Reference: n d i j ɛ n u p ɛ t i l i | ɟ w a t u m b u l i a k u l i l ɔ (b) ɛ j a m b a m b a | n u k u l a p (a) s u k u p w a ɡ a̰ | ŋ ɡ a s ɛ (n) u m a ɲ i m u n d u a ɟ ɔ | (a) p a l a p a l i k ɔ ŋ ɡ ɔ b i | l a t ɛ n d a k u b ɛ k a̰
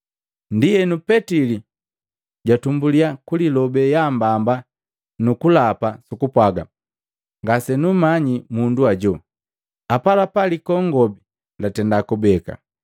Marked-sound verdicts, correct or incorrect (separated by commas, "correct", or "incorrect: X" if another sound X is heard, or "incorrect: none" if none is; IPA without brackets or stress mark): correct, correct, correct, correct